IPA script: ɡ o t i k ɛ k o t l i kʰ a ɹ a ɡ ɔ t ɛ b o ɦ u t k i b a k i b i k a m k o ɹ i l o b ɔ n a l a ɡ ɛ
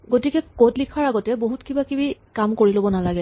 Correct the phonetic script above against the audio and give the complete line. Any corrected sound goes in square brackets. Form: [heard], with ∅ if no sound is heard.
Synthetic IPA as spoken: ɡ o t i k ɛ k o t l i kʰ a ɹ a ɡ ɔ t ɛ b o ɦ u t k i b a k i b i k a m k o ɹ i l o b ɔ n a l a ɡ ɛ